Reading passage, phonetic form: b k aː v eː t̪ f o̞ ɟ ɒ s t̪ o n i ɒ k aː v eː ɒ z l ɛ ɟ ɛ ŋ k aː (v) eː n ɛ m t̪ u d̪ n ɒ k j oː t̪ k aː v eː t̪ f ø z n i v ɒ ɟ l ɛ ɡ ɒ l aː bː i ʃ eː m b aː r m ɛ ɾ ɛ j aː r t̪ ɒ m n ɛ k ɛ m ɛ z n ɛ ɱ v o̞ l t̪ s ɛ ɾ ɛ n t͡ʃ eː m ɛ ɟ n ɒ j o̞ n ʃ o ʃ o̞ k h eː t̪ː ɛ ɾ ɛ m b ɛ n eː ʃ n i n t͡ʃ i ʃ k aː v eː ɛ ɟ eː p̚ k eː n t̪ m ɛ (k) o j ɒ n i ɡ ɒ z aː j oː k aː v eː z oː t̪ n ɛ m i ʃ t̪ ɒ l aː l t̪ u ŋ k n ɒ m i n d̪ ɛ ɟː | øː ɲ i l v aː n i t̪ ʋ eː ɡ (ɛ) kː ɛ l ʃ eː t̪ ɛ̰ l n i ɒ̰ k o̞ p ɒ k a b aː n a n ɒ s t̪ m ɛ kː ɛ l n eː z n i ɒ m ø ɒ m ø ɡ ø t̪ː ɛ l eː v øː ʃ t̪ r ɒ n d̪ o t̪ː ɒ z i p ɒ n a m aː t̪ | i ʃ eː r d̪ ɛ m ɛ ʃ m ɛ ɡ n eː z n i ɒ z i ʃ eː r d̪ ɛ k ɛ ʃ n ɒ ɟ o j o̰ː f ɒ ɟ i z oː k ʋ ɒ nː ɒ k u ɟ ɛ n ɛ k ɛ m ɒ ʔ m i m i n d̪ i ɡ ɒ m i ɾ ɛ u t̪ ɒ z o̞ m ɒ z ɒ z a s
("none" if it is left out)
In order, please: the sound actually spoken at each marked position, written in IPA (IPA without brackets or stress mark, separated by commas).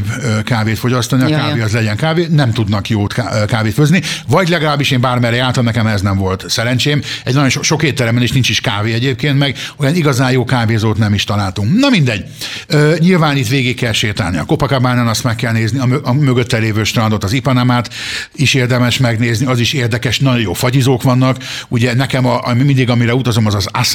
v, ɡ, i